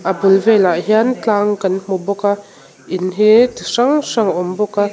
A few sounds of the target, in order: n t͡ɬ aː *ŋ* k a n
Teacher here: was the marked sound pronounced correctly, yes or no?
yes